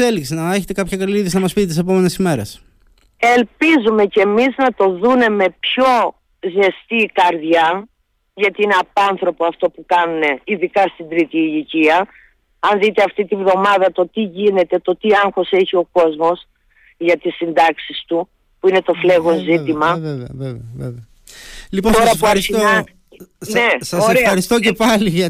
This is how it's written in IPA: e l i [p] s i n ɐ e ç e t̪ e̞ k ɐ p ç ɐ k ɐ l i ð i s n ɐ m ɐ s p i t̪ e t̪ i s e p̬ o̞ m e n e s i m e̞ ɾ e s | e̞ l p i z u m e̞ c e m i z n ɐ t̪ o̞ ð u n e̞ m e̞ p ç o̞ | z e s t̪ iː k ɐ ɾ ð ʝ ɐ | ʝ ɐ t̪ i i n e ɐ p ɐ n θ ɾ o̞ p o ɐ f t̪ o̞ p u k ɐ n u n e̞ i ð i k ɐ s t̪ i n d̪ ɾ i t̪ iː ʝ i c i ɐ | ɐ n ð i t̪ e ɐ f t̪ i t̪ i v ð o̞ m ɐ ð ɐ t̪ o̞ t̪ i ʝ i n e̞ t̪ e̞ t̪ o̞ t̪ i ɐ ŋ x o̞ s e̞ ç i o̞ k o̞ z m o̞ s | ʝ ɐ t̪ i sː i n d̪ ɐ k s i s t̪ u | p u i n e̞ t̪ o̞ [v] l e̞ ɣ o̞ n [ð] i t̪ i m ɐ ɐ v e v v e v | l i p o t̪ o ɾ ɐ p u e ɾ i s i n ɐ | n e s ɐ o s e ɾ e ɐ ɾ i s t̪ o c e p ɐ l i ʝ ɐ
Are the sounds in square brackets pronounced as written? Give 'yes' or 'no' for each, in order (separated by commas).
no, no, no